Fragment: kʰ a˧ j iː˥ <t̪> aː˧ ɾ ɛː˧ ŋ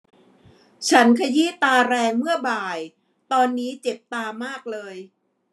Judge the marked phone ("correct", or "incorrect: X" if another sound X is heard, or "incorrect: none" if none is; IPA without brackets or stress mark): correct